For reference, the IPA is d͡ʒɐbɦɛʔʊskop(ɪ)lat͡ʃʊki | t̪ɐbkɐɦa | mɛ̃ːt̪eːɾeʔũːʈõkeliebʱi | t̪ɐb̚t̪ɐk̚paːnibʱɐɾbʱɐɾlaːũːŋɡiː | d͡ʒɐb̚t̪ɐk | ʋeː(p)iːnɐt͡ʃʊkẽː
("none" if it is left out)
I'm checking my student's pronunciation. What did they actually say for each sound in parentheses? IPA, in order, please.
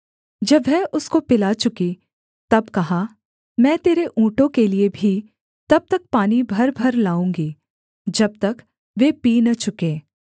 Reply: ɪ, p

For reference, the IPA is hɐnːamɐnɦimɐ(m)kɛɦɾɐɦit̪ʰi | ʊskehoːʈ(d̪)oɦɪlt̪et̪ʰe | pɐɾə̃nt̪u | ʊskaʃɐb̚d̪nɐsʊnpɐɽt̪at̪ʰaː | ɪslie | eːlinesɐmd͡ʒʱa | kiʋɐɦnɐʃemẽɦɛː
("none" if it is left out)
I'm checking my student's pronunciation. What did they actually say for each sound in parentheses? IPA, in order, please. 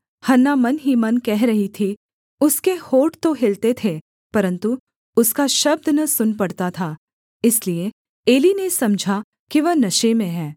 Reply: n, t̪

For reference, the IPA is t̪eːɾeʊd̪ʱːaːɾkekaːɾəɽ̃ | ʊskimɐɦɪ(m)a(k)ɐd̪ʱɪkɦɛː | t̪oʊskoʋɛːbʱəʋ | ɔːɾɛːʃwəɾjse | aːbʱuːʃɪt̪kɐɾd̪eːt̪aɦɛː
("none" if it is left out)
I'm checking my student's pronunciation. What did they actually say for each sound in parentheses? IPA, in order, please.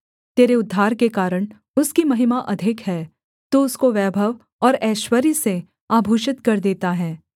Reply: m, ʔ

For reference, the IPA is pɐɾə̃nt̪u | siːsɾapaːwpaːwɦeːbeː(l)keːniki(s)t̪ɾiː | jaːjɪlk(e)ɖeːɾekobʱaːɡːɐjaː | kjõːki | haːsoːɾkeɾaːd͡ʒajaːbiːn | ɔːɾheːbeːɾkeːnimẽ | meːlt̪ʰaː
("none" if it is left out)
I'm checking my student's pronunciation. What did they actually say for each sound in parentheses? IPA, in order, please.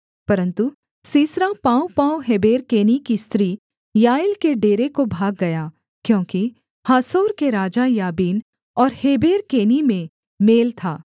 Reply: ɾ, s, e

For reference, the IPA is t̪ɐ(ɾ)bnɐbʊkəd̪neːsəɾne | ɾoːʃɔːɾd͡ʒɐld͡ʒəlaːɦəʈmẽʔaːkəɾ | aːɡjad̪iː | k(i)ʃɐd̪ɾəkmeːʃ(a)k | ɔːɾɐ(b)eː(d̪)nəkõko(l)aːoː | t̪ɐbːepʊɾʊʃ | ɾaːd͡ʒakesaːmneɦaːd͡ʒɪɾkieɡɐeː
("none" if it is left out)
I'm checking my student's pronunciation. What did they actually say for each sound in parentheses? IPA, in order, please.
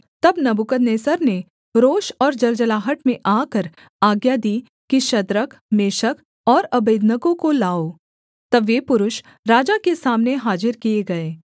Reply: none, i, ə, b, d̪, l

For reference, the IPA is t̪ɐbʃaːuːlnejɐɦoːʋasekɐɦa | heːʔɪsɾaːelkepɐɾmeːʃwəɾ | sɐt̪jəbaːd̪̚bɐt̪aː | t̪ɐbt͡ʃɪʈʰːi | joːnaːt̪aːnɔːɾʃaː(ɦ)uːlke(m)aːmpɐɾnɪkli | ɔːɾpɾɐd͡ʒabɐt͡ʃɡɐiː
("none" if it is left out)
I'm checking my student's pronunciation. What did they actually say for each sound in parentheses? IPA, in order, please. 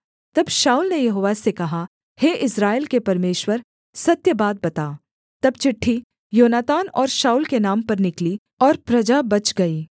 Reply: none, n

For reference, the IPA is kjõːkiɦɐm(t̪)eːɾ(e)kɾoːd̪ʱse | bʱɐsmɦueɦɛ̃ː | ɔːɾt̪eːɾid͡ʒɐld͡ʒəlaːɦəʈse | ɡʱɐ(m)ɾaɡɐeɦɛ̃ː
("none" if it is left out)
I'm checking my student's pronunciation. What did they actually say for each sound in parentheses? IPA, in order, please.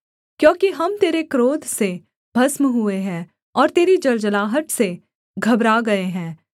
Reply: t̪, e, b

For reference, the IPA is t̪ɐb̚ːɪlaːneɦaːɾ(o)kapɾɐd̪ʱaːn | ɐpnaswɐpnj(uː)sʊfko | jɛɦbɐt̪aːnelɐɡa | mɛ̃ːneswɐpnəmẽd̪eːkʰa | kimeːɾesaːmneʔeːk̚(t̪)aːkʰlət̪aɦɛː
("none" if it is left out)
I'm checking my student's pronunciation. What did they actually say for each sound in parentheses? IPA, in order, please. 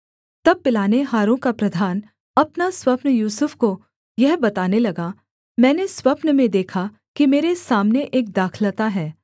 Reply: õ, uː, d̪

